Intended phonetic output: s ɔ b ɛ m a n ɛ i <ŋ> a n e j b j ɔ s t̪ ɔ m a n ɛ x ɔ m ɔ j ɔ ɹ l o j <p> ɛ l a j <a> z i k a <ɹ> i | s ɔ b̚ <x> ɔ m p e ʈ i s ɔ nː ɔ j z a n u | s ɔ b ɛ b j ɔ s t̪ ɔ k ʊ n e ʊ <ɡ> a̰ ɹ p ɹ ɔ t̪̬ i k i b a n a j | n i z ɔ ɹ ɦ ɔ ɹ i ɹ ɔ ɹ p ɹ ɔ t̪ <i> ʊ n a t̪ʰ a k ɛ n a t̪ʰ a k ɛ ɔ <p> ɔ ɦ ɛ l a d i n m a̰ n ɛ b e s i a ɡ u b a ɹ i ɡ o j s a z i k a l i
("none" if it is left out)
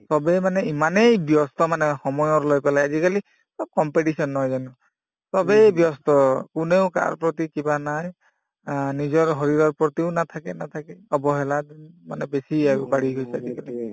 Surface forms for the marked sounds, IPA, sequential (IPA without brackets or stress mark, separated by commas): m, p, a, l, k, k, i, b